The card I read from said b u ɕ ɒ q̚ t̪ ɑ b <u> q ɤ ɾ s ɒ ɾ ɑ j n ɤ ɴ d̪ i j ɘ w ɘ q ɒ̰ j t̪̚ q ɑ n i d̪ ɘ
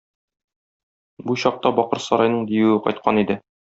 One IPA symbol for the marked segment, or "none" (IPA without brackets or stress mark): ɒ